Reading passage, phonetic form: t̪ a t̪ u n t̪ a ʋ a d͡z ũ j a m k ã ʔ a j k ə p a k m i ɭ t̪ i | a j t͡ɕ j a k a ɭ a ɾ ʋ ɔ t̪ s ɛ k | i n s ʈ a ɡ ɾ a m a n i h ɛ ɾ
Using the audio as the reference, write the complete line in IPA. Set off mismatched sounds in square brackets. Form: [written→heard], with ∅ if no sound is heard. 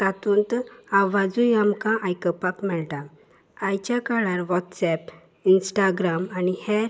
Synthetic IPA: t̪ a t̪ u n t̪ a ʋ a d͡z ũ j a m k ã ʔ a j k ə p a k m [i→ɛ] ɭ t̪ [i→a] | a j t͡ɕ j a k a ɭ a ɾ ʋ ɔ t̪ s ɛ [k→p] | i n s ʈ a ɡ ɾ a m a n i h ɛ ɾ